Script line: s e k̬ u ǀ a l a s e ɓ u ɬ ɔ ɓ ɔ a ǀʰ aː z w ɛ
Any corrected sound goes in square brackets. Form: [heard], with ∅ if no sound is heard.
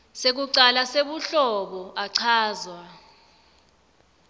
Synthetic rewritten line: s e k̬ u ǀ a l a s e ɓ u ɬ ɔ ɓ ɔ a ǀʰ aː z w [a]